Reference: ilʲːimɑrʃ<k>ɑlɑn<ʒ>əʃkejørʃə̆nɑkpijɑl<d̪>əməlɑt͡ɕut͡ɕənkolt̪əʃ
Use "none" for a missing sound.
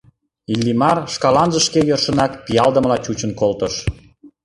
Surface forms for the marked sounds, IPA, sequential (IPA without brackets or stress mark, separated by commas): k, ʒ, d̪